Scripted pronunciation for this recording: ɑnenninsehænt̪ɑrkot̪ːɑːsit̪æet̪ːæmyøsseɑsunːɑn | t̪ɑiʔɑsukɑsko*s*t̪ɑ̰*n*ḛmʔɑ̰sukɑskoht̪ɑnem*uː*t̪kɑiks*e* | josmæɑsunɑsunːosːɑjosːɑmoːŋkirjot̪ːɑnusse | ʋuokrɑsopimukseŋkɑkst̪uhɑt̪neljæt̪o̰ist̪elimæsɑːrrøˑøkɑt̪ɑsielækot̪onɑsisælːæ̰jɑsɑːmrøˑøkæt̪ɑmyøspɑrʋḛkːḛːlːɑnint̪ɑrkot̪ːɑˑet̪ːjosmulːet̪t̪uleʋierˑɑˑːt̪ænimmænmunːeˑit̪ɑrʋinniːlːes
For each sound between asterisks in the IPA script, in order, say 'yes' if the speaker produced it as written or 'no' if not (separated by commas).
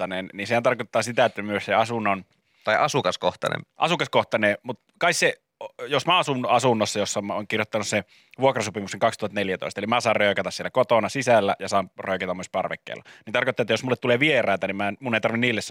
no, yes, no, yes